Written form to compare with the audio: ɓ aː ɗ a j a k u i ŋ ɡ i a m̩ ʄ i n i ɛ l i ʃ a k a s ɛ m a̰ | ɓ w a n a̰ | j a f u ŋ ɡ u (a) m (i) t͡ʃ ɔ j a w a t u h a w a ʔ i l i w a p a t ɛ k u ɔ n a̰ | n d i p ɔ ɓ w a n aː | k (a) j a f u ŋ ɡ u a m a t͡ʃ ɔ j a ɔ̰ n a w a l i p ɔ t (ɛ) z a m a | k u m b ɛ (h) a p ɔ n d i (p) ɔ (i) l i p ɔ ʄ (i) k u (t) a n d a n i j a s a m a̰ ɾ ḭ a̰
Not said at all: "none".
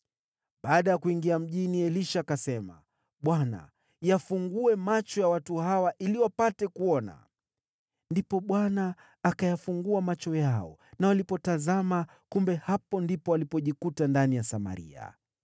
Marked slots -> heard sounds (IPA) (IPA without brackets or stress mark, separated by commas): ɛ, a, a, a, h, p, a, i, t